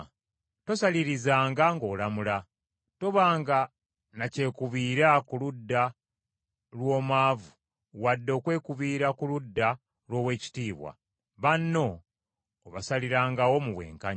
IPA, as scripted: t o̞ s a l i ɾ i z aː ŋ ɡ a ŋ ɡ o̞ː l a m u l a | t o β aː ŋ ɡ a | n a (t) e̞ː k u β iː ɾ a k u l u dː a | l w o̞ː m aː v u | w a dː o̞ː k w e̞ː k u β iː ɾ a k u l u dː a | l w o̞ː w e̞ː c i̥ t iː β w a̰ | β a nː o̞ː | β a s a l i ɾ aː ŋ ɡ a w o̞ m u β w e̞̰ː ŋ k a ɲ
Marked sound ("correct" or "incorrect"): incorrect